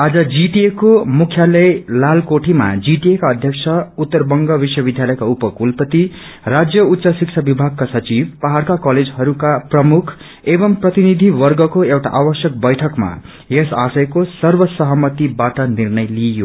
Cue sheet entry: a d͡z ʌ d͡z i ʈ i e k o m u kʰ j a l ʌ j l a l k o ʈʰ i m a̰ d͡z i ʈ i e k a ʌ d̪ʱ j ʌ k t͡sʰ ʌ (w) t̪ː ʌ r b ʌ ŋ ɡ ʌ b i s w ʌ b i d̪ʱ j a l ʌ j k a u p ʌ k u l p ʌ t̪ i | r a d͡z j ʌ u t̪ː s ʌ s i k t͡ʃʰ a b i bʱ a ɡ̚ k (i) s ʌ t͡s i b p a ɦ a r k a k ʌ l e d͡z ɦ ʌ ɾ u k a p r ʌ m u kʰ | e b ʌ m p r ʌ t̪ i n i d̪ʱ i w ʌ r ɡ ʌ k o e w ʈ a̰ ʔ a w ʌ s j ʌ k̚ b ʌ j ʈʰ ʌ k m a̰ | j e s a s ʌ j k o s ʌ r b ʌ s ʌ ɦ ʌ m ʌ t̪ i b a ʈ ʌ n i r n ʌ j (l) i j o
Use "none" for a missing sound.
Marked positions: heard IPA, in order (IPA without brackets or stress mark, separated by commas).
u, a, l